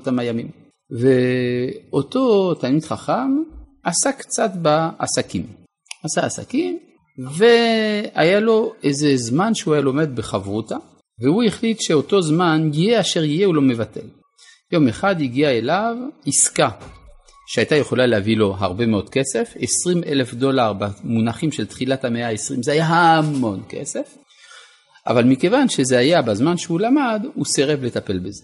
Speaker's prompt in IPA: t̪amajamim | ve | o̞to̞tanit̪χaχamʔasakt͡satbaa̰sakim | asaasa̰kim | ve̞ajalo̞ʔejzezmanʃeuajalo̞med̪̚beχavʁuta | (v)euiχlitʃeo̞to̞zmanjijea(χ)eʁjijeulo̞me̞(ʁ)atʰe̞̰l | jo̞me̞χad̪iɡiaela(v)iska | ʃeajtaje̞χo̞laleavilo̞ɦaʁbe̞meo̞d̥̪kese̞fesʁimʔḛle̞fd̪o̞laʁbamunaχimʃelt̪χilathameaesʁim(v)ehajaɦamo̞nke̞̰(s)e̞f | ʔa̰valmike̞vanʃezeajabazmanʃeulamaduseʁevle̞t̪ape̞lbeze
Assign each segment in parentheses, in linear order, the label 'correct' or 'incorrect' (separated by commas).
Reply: correct, incorrect, incorrect, correct, incorrect, correct